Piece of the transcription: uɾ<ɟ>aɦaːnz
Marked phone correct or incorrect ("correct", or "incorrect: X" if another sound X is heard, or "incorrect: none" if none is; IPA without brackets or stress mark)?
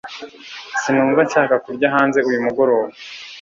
correct